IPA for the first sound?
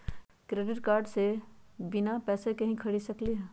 k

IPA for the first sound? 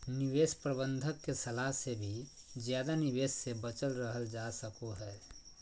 n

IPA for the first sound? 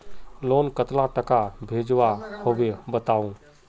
l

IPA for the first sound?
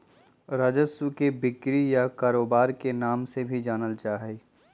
ɾ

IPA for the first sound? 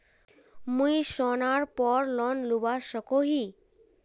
m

